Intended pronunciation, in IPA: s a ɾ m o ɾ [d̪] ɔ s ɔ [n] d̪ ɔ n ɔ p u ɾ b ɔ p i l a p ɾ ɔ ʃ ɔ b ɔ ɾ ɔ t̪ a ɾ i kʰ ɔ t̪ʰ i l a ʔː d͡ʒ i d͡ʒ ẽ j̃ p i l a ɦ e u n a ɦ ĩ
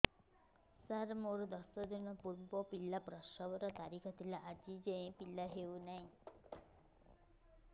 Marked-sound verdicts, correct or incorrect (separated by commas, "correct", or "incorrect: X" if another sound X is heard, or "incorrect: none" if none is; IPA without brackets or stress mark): correct, incorrect: none